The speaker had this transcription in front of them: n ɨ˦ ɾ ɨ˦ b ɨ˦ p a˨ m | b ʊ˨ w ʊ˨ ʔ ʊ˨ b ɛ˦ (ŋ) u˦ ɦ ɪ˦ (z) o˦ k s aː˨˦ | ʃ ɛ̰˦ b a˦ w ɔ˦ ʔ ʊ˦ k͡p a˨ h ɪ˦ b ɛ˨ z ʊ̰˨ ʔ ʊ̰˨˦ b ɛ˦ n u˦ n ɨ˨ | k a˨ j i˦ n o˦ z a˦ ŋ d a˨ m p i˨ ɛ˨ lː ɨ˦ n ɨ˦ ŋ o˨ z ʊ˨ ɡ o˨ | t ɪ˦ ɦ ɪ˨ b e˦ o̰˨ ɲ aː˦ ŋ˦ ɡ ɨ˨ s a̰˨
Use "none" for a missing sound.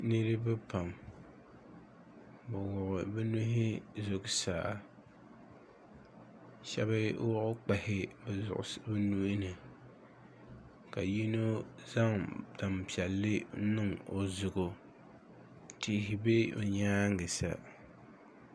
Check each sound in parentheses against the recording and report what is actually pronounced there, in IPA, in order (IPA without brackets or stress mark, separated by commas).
n, z